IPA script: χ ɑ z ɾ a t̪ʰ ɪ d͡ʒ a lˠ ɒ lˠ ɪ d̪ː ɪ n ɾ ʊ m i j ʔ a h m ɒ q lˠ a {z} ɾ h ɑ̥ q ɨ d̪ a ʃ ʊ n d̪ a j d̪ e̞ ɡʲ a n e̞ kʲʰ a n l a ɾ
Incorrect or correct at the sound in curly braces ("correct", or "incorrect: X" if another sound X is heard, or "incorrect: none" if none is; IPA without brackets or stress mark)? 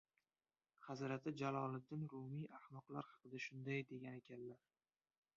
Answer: incorrect: none